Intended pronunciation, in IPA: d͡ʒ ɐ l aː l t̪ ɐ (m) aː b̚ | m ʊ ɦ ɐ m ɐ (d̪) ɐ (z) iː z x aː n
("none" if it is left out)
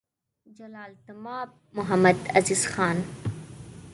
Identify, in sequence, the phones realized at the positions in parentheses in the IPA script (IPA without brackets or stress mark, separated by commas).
m, d̪, z